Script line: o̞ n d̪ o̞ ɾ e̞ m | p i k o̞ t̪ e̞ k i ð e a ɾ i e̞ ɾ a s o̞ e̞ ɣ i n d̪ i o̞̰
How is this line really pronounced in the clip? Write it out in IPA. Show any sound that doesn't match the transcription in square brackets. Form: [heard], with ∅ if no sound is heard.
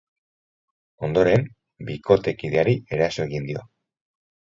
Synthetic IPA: o̞ n d̪ o̞ ɾ e̞ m | [b] i k o̞ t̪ e̞ k i ð e a ɾ i e̞ ɾ a s o̞ e̞ ɣ i n d̪ i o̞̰